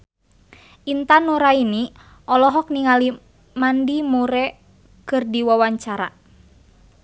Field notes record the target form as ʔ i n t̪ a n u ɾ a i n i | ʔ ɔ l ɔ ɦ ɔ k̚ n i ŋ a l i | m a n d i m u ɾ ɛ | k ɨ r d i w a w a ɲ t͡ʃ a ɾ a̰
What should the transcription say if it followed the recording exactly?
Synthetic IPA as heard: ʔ i n t̪ a n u ɾ a i n i | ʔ ɔ l ɔ ɦ ɔ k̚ n i ŋ a l i | m a n d i m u ɾ ɛ | k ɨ r d i w a w a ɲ t͡ʃ a ɾ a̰